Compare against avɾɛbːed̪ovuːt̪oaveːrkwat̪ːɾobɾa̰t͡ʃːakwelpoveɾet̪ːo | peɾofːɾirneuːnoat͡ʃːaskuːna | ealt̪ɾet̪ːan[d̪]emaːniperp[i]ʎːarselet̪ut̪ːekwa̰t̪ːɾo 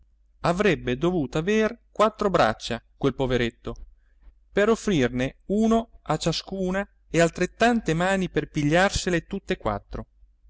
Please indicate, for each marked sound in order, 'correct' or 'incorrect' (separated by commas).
incorrect, correct